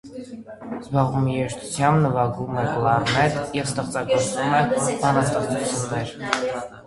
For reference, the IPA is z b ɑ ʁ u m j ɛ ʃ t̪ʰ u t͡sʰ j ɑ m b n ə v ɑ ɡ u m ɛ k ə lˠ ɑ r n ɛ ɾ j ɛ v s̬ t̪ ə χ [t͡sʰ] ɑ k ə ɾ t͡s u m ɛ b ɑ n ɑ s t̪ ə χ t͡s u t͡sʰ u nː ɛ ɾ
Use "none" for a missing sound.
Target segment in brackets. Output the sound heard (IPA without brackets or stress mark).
t͡s